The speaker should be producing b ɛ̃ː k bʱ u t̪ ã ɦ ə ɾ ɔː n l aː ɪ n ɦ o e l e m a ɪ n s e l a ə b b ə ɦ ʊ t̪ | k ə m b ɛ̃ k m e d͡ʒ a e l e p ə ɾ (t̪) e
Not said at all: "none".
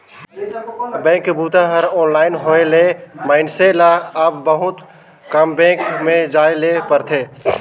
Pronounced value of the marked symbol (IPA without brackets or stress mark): t̪ʰ